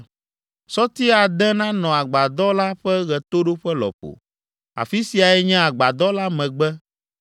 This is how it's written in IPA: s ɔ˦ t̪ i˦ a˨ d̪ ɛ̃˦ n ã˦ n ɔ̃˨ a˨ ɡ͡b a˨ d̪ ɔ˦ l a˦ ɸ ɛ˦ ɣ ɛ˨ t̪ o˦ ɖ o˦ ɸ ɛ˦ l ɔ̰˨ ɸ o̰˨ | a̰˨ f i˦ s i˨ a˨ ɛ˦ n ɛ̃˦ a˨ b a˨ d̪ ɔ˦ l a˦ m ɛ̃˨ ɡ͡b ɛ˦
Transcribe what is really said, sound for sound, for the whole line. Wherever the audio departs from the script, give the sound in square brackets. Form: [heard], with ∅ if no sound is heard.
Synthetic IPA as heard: s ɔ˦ t̪ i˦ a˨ d̪ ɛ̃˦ n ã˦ n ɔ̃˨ a˨ ɡ͡b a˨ d̪ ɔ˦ l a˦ ɸ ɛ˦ ɣ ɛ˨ t̪ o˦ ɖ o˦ ɸ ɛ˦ l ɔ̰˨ ɸ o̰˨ | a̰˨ f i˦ s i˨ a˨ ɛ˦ [ɲ] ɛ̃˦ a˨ [ɡ͡b] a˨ d̪ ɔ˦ l a˦ m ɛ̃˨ ɡ͡b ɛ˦